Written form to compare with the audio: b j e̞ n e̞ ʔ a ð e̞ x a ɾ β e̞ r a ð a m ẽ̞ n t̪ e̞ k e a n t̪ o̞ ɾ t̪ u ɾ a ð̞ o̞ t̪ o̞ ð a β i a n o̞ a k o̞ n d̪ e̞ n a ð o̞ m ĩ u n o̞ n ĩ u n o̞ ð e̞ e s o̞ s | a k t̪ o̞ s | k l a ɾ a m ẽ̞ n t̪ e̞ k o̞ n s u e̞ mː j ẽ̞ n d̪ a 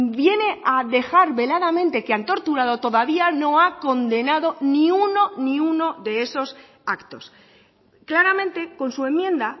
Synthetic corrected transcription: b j e̞ n e̞ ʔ a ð e̞ x a ɾ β e̞ l a ð a m ẽ̞ n t̪ e̞ k e a n t̪ o̞ ɾ t̪ u ɾ a ð̞ o̞ t̪ o̞ ð a β i a n o̞ a k o̞ n d̪ e̞ n a ð o̞ n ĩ u n o̞ n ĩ u n o̞ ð e̞ e s o̞ s | a k t̪ o̞ s | k l a ɾ a m ẽ̞ n t̪ e̞ k o̞ n s u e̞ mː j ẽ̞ n d̪ a